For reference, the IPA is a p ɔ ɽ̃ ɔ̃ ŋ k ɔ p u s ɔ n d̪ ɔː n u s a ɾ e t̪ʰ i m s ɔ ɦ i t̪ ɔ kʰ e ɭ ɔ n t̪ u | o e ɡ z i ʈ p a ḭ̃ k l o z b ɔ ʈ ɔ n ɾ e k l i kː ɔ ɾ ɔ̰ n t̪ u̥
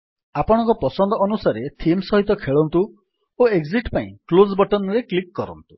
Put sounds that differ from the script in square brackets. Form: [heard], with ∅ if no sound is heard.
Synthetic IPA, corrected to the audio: a p ɔ ɽ̃ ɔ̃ ŋ k ɔ p [ɔ] s ɔ n d̪ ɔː n u s a ɾ e t̪ʰ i m s ɔ ɦ i t̪ ɔ kʰ e ɭ ɔ n t̪ u | o e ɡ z i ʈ p a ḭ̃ k l o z b ɔ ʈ ɔ n ɾ e k l i kː ɔ ɾ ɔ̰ n t̪ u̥